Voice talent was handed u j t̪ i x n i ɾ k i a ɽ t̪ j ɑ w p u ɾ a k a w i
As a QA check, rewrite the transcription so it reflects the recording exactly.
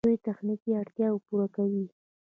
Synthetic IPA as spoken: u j t̪ a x n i k i a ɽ t̪ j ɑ w p u ɾ a k a w i

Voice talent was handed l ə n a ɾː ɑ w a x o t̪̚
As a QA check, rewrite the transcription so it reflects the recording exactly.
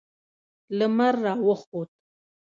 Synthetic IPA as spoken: l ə m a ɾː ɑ w ə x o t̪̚

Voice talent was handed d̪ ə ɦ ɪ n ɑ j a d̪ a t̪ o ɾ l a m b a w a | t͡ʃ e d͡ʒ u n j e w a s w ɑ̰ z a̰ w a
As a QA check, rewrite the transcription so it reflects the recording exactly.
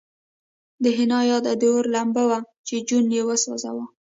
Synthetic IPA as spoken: d̪ ə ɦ ɪ n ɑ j ɑ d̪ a d̪ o ɾ l a m b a w a | t͡ʃ e d͡ʒ u n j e w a s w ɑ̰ z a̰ w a

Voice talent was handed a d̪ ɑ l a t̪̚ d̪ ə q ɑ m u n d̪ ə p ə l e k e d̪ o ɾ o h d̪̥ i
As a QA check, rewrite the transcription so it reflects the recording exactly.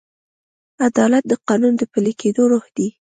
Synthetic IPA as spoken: a d̪ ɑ l a t̪̚ d̪ ə q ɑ n u n d̪ ə p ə l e k e d̪ o ɾ o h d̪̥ i

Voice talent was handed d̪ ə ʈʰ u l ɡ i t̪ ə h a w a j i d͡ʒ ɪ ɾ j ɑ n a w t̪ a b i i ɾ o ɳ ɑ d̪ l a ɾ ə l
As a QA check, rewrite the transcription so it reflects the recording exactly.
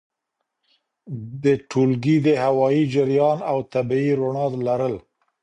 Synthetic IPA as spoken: d̪ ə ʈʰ u l ɡ i d̪ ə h a w ɑ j i d͡ʒ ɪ ɾ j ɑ n a w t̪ a b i i ɾ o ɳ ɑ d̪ l a ɾ ə l

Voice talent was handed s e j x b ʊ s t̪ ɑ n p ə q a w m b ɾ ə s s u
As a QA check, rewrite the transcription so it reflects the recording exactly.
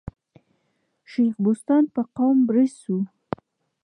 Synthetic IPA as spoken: ʃ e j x b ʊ s t̪ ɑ n p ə q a w m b ɾ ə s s u

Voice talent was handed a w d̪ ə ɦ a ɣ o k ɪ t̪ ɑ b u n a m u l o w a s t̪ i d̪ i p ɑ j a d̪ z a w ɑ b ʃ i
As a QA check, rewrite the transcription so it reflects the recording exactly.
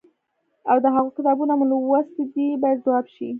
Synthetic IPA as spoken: a w d̪ ə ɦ a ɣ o k ɪ t̪ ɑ b u n a m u l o w a s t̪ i d̪ i b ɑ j a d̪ z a w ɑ b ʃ i

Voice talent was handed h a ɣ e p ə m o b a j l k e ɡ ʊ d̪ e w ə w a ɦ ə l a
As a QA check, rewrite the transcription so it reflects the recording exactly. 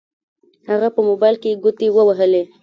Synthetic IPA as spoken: h a ɣ a p ə m o b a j l k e ɡ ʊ t̪ e w ə w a ɦ ə l e

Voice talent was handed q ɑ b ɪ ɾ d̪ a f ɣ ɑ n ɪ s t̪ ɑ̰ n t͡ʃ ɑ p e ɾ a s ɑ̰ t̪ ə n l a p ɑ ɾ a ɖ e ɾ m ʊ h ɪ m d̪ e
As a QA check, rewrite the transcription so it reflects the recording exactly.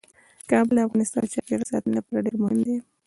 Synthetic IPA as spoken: k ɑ b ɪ l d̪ a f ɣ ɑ n ɪ s t̪ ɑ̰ n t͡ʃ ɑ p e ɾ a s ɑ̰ t̪ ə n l a p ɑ ɾ a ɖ e ɾ m ʊ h ɪ m d̪ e

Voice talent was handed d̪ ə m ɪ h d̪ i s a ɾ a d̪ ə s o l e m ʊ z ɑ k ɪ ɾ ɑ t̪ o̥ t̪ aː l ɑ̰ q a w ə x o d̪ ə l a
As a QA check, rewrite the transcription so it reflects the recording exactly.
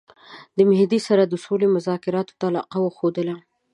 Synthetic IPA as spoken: d̪ ə m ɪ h d̪ i s a ɾ a d̪ ə s o l e m ʊ z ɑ k ɪ ɾ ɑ t̪ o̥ t̪ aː l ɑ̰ q a w ə x o d̪ ə l a

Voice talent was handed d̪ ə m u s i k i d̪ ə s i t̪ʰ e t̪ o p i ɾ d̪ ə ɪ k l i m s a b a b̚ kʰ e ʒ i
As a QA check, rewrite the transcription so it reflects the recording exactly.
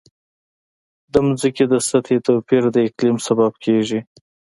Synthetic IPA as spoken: d̪ ə m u z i k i d̪ ə s a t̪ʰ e t̪ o p i ɾ d̪ ə ɪ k l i m s a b a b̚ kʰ e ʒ i

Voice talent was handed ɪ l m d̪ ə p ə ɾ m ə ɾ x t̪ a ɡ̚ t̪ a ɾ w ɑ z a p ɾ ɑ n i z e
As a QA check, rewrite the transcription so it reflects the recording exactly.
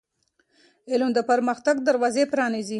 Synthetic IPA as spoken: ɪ l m d̪ ə p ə ɾ m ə x t̪ a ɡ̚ d̪ a ɾ w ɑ z e p ɾ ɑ n i z i

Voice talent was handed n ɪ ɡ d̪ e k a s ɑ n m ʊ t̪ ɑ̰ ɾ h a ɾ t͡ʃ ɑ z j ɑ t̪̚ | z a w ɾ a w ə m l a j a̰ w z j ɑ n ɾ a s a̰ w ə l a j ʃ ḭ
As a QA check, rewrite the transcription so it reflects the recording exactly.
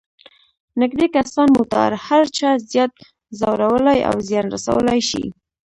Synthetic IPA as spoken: n ɪ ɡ d̪ e k a s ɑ n m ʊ t̪ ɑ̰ ɾ h a ɾ t͡ʃ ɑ z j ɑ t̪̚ | z a w ɾ a w ə l a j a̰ w z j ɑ n ɾ a s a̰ w ə l a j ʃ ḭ

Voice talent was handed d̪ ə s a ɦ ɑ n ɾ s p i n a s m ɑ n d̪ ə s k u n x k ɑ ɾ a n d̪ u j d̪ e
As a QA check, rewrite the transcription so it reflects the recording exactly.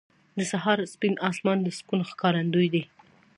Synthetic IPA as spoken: d̪ ə s a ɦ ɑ ɾ s p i n ɑ s m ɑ n d̪ ə s k u n x k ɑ ɾ a n d̪ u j d̪ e

